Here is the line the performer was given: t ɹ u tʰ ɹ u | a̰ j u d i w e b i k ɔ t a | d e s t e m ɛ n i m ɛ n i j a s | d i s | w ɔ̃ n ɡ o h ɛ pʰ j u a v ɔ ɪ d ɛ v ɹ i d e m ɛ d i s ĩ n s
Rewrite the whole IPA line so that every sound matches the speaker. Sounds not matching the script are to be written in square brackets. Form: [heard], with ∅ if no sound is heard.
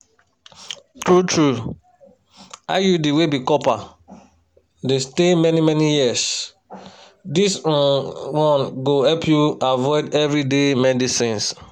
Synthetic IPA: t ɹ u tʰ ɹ u | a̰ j u d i w e b i k ɔ [p] a | d e s t e m ɛ n i m ɛ n i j [i] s | d i s | w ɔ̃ n ɡ o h ɛ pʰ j u a v ɔ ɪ d ɛ v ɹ i d e m ɛ d i s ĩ n s